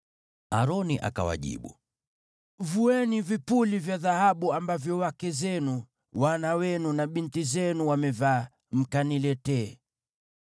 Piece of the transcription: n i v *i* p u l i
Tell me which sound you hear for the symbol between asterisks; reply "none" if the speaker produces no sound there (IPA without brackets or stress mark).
i